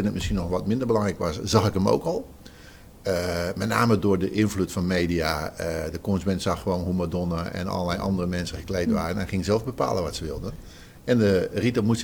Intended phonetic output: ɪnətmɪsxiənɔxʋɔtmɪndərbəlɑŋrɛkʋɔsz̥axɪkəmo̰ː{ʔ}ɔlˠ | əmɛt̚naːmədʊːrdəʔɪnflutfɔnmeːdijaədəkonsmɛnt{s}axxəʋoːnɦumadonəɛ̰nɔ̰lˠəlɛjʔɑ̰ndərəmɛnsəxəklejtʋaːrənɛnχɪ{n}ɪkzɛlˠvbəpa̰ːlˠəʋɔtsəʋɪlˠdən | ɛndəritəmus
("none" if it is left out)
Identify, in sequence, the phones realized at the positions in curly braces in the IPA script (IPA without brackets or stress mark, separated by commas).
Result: k, s, ŋ